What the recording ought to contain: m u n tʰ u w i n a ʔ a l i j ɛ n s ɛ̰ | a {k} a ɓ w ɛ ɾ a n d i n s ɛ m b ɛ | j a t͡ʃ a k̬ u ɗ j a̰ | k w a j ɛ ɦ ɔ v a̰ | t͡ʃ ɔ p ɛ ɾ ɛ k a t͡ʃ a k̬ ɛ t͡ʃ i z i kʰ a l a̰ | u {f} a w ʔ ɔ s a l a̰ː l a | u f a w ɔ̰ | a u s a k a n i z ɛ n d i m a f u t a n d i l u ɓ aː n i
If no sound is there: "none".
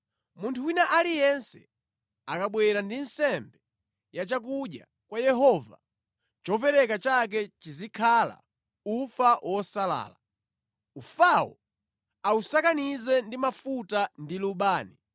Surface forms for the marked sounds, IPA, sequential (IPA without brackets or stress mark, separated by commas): k, f